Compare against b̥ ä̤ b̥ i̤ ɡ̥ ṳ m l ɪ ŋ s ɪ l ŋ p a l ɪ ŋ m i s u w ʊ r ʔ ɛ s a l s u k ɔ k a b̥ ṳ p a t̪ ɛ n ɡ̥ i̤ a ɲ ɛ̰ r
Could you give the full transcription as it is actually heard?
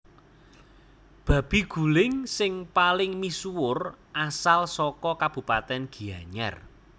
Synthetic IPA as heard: b̥ ä̤ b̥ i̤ ɡ̥ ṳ l ɪ ŋ s ɪ ŋ p a l ɪ ŋ m i s u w ʊ r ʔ a s a l s ɔ k ɔ k a b̥ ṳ p a t̪ ɛ n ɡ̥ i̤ a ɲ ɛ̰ r